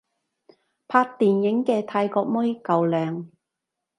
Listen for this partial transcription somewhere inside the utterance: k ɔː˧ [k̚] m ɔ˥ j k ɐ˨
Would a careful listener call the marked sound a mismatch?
no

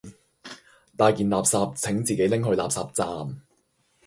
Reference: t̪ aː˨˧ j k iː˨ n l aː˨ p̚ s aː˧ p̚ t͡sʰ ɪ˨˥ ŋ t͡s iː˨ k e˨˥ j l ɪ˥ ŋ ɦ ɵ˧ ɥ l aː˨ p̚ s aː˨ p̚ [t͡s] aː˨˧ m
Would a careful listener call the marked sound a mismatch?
no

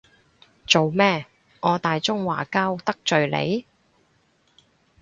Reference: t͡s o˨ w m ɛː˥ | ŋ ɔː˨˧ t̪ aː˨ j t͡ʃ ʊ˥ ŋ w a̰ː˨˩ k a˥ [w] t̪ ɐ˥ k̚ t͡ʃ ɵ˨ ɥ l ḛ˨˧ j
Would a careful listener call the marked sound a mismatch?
no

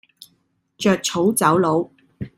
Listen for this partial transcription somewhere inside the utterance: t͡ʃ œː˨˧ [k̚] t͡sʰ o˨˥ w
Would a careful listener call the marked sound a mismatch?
no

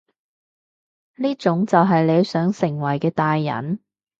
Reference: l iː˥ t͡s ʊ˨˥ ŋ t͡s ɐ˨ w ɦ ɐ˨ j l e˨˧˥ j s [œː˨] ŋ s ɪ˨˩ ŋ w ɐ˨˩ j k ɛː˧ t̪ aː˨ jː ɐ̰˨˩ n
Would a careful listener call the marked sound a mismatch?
yes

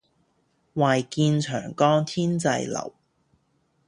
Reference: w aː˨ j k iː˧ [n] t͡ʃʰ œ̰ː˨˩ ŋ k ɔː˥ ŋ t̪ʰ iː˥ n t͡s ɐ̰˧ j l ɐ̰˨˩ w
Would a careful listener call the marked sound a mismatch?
no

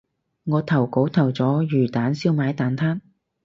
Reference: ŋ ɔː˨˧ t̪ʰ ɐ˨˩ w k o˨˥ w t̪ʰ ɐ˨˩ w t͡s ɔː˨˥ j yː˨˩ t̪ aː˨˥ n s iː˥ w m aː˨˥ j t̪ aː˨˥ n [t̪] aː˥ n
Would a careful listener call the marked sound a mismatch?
yes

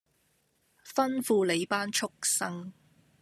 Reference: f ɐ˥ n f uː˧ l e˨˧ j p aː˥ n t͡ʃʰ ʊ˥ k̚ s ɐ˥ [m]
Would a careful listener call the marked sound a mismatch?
yes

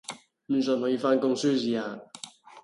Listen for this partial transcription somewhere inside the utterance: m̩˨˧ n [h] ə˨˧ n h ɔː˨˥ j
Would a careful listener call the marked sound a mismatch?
yes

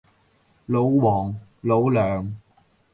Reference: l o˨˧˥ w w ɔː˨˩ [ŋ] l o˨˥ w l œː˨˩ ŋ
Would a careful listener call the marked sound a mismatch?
no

